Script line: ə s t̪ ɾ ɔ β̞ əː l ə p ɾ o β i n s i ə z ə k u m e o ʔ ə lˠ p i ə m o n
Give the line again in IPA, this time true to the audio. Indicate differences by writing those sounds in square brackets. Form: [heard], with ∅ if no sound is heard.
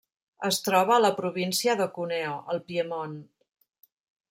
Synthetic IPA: ə s t̪ ɾ ɔ β̞ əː l ə p ɾ [u] β i n s i ə [ð] ə k u [n] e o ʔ ə lˠ p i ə m o n